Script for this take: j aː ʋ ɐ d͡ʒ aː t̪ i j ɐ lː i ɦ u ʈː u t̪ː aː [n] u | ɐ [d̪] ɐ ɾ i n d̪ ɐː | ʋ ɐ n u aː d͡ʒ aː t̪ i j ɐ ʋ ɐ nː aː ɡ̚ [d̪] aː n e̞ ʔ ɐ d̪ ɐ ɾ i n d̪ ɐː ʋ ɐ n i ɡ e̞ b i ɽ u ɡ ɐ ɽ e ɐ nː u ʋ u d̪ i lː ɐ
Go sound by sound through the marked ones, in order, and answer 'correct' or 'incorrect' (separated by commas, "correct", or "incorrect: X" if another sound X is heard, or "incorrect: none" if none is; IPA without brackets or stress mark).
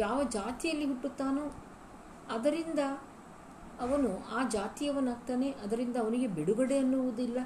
correct, correct, incorrect: t̪